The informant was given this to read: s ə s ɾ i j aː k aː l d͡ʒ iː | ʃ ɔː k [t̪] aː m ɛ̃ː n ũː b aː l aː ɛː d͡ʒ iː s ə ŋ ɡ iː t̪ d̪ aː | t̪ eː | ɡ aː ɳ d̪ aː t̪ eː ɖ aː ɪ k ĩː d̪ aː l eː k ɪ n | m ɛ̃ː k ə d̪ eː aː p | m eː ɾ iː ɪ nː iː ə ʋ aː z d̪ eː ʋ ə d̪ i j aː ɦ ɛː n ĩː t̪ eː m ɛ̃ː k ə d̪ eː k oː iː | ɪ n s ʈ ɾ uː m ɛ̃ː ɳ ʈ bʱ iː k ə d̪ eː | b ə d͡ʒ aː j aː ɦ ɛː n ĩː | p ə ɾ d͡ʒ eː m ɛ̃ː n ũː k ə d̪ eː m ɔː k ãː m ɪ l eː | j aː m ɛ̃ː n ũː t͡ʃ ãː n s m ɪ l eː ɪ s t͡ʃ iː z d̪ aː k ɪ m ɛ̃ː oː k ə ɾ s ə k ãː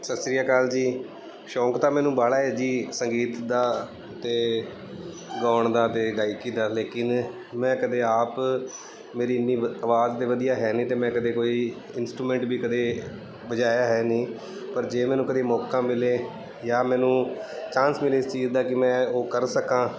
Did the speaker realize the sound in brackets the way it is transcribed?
yes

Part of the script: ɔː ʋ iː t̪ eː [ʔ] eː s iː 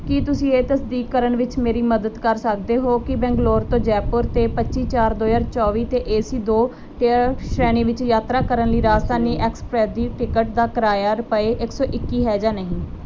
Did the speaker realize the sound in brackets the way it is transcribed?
yes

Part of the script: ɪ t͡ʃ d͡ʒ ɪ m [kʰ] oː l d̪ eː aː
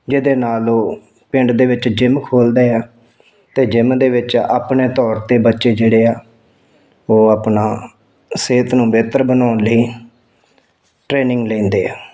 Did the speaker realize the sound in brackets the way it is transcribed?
yes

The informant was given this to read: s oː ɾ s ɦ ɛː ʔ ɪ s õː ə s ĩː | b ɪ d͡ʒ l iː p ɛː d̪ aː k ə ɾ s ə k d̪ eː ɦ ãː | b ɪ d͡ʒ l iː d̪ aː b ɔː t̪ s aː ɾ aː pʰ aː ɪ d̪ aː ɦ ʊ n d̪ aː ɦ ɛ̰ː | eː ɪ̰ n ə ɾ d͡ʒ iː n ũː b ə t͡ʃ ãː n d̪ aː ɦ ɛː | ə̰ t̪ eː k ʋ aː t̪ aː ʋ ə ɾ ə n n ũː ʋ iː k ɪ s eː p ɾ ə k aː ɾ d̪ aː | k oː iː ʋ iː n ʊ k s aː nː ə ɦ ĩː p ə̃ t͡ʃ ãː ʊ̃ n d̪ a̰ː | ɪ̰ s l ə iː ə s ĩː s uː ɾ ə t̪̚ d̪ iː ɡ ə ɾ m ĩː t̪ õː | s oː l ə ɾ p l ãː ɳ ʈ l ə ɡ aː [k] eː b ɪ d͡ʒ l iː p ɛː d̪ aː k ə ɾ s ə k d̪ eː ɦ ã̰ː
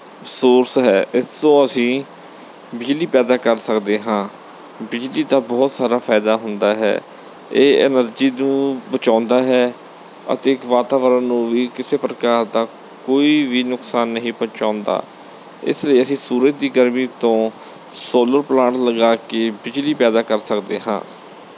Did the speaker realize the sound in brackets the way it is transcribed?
yes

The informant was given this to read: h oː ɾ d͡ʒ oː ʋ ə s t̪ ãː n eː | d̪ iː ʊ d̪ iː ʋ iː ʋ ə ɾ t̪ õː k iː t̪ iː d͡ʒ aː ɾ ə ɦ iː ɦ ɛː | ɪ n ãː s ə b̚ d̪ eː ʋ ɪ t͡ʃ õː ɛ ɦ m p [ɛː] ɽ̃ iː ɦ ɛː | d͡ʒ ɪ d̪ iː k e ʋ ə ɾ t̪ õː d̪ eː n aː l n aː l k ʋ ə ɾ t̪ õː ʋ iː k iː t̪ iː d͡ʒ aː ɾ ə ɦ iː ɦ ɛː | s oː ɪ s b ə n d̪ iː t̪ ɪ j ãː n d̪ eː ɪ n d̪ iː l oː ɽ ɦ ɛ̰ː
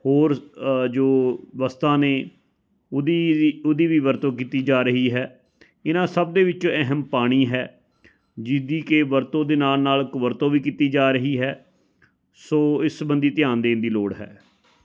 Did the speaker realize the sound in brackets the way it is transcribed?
no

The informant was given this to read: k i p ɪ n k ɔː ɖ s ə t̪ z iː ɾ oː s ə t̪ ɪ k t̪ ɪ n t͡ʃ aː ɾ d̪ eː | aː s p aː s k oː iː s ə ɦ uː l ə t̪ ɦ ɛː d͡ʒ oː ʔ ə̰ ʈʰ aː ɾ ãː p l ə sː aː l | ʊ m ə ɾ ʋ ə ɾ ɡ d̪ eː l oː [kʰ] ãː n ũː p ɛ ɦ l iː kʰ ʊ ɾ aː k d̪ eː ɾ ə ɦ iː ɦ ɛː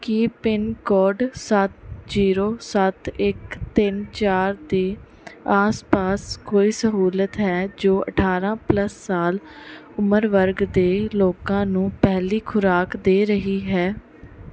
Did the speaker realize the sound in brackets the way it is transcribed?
no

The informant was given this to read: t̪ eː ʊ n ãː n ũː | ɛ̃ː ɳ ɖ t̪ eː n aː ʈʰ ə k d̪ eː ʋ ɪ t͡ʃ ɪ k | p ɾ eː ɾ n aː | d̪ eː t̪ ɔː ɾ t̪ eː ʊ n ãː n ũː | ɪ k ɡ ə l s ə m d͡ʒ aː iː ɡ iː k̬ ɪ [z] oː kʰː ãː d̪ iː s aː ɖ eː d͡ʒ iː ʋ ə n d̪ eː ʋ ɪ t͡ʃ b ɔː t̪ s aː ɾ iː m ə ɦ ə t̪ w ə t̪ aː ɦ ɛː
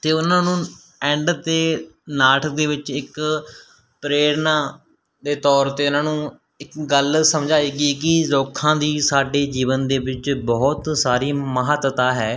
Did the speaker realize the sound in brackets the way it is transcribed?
yes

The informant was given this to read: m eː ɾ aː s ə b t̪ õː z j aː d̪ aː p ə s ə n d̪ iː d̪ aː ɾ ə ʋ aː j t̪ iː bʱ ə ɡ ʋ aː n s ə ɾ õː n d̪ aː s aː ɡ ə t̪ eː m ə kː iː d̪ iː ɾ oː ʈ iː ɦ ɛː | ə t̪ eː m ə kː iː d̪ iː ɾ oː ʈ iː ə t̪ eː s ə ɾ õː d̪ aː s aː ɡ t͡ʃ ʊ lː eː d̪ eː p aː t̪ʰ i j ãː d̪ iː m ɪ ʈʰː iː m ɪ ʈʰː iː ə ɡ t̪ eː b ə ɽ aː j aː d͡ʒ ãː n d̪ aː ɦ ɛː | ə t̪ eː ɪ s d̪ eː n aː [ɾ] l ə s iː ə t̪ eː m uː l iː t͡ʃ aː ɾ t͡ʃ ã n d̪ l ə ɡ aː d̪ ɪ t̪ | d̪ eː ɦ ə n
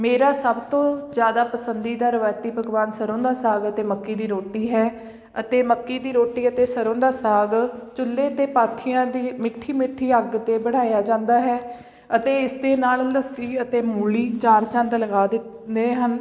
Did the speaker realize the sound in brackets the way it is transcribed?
no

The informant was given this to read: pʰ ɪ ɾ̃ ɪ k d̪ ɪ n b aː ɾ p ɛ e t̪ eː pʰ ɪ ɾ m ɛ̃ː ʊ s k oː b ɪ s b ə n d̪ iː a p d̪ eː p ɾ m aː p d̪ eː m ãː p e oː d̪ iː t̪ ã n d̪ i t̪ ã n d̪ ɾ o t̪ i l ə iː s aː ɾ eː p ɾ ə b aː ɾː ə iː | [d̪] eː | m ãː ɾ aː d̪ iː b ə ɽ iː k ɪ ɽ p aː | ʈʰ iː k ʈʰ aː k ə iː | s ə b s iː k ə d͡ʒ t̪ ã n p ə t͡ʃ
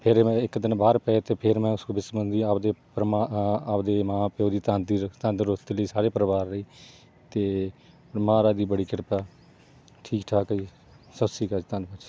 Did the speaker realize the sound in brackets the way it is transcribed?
no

